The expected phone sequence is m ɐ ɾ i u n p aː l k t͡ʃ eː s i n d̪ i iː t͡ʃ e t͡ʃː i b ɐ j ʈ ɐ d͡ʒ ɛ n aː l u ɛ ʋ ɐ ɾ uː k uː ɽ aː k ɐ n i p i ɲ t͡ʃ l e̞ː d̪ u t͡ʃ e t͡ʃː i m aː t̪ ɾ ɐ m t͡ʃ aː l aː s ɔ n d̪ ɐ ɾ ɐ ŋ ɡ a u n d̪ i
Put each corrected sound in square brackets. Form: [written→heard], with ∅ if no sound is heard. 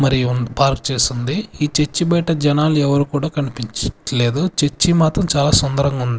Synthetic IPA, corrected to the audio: m ɐ ɾ i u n p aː [l→ɾ] k t͡ʃ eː s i n d̪ i iː t͡ʃ e t͡ʃː i b ɐ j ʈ ɐ d͡ʒ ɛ n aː l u ɛ ʋ ɐ ɾ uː k uː ɽ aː k ɐ n i p i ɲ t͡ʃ l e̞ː d̪ u t͡ʃ e t͡ʃː i m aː t̪ ɾ ɐ m t͡ʃ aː l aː s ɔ n d̪ ɐ ɾ ɐ ŋ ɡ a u n d̪ i